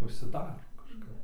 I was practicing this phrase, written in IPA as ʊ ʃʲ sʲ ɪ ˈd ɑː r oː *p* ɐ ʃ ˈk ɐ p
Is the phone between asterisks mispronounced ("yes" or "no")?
yes